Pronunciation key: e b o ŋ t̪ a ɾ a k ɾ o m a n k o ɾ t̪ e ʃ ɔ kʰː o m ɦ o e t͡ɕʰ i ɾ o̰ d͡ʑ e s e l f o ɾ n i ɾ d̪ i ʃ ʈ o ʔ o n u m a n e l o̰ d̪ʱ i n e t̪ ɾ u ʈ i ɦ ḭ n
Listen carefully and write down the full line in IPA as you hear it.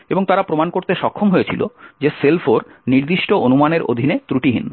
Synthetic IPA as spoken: e b o ŋ t̪ a ɾ a p ɾ o m a n k o ɾ t̪ e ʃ ɔ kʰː o m ɦ o e t͡ɕʰ i l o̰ d͡ʑ e s e l f o ɾ n i ɾ d̪ i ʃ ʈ o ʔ o n u m a n e ɾ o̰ d̪ʱ i n e t̪ ɾ u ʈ i ɦ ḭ n